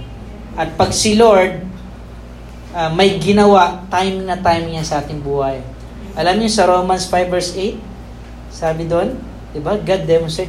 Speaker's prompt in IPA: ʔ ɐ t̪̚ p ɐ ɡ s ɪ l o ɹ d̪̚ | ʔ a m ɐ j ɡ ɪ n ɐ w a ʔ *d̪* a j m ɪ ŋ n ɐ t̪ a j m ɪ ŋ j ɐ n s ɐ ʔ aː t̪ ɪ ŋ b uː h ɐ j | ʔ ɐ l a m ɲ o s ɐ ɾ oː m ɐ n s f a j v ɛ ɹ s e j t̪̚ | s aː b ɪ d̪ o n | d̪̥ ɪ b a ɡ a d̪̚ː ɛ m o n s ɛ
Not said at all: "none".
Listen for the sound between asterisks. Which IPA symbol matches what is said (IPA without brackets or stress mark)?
t̪